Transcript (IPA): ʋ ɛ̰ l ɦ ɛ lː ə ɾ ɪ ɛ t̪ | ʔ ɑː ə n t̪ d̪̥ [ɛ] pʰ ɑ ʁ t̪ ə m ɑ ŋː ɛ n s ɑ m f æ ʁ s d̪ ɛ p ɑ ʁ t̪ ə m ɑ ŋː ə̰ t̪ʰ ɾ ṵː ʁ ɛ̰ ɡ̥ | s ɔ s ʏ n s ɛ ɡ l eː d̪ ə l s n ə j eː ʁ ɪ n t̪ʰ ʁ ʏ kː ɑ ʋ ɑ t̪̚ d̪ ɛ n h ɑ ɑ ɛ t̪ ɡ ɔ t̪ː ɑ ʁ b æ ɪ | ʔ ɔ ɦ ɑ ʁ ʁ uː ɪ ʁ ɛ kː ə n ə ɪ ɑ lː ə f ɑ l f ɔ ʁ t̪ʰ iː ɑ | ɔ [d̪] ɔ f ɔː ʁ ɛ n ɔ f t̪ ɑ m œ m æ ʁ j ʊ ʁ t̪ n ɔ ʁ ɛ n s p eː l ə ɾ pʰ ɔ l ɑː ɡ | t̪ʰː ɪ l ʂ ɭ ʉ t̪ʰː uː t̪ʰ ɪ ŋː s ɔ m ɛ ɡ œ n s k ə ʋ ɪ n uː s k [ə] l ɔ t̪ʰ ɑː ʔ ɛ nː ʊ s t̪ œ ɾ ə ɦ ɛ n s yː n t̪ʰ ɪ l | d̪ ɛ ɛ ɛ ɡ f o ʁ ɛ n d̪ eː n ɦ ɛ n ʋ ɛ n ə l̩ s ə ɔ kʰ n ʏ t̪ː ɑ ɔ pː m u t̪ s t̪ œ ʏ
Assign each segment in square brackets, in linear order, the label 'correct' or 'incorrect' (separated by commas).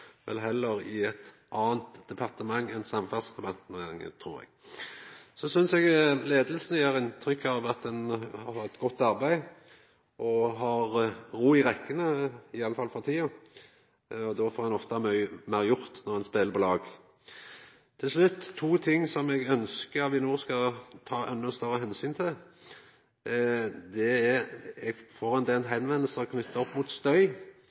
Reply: correct, correct, incorrect